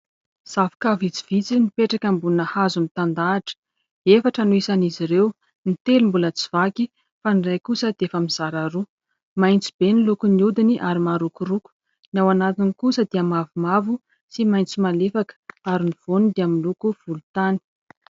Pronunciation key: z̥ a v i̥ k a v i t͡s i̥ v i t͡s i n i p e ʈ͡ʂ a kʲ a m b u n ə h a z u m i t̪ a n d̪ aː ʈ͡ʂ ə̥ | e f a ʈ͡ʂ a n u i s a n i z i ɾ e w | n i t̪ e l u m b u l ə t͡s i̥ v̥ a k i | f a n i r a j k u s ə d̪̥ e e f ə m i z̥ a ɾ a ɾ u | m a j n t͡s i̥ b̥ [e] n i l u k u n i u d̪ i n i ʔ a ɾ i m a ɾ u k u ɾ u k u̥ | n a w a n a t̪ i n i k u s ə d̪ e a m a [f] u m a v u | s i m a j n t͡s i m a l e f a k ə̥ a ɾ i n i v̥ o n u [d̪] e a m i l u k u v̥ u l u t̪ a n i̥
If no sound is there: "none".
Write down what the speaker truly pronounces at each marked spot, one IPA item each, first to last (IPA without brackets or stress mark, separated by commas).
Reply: e, v, d̪